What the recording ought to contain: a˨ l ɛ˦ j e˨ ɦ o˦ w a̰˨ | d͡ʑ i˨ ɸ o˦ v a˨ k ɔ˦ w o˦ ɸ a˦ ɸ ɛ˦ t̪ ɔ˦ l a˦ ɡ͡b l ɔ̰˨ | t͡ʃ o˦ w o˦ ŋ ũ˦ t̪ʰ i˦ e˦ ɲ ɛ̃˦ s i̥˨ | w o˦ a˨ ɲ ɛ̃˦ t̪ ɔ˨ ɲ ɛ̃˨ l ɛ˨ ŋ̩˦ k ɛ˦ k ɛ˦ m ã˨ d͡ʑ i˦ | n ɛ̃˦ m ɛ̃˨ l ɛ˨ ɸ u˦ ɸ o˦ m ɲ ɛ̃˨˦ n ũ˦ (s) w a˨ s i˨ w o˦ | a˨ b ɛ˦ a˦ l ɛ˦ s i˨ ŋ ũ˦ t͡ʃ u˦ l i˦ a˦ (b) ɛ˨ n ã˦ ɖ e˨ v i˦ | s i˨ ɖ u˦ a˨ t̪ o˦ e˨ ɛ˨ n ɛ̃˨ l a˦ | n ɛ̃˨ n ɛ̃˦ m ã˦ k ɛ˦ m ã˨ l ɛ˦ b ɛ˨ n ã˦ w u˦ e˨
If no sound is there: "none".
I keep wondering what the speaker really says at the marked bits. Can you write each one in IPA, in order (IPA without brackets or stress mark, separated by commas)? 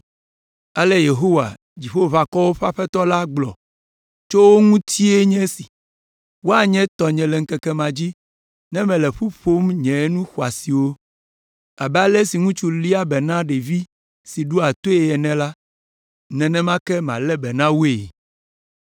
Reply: x, b